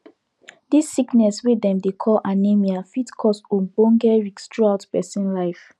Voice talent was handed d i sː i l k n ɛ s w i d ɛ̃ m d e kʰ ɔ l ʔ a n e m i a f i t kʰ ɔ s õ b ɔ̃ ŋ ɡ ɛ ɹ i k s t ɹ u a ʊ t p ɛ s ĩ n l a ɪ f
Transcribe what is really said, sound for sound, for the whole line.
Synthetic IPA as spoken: d i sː i k n ɛ s w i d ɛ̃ m d e kʰ ɔ l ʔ a n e m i a f i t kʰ ɔ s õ b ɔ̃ ŋ ɡ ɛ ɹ i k s t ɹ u a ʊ t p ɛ s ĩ n l a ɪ f